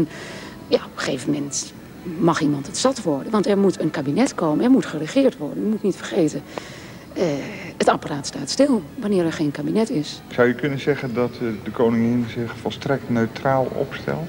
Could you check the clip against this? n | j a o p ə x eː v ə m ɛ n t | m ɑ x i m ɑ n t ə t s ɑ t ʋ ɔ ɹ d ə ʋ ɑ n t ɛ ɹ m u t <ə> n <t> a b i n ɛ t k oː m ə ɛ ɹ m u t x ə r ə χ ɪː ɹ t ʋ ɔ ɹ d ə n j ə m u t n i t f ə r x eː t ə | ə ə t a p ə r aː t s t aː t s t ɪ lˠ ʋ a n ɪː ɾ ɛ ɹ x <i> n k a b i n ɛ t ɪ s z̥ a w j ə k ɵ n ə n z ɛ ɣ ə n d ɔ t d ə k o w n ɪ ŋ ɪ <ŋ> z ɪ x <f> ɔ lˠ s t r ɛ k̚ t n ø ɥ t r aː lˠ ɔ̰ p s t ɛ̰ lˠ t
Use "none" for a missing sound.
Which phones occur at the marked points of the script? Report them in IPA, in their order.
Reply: ə, k, e, n, f

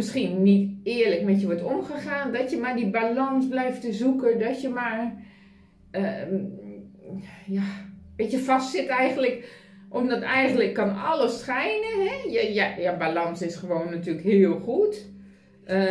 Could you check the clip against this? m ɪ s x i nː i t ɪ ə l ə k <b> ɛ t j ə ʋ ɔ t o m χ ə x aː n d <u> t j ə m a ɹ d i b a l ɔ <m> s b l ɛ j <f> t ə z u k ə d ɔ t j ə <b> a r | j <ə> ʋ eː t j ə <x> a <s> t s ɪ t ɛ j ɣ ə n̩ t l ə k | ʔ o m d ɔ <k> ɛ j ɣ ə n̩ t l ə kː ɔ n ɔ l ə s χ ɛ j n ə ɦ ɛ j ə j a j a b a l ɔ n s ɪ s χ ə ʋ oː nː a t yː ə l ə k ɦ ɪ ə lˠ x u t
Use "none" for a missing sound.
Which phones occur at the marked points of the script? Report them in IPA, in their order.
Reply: m, ɔ, n, f, m, a, f, s, t

